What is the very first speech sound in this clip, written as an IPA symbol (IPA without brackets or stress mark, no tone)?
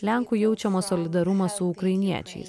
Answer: lʲ